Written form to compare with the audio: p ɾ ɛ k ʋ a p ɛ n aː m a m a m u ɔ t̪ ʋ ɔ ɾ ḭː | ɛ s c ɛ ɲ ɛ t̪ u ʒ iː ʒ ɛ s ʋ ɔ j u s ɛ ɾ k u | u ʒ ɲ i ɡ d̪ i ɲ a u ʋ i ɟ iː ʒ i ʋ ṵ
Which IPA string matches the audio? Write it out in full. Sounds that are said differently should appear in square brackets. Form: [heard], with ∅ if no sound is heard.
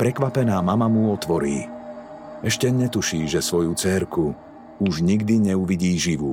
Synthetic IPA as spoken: p ɾ ɛ k ʋ a p ɛ n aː m a m a m u ɔ t̪ ʋ ɔ ɾ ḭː | ɛ [ʃ] c ɛ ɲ ɛ t̪ u [ʃ] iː ʒ ɛ s ʋ ɔ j u [t͡s] ɛ ɾ k u | u ʒ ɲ i ɡ d̪ i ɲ [ɛ] u ʋ i ɟ iː ʒ i ʋ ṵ